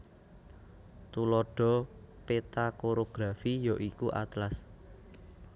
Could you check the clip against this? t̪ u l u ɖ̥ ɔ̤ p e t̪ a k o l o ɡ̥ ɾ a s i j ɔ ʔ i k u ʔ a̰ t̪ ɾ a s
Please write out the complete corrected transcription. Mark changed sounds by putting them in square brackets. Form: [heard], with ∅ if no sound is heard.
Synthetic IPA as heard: t̪ u l [ɔ] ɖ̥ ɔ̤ p e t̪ a k o [ɾ] o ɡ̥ ɾ a [f] i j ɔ ʔ i k u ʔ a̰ t̪ [l] a s